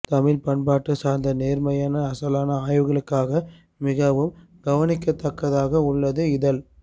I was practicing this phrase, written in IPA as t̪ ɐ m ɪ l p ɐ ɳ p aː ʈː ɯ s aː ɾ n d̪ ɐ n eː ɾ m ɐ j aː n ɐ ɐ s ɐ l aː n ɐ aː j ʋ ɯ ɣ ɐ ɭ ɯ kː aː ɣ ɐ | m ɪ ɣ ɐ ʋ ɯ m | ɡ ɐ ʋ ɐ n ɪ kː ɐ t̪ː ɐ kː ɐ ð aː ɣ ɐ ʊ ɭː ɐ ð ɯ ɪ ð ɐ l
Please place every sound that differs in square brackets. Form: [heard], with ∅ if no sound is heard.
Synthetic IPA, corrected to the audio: t̪ ɐ m ɪ l p ɐ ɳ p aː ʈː ɯ s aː ɾ n d̪ ɐ n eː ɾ m ɐ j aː n ɐ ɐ s ɐ l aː n ɐ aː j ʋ ɯ ɣ ɐ ɭ ɯ kː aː ɣ ɐ | m ɪ ɣ ɐ ʋ ɯ m | ɡ ɐ ʋ ɐ n ɪ kː ɐ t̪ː ɐ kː ɐ ð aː ɣ ɐ ʊ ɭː ɐ ð ɯ ɪ ð ɐ l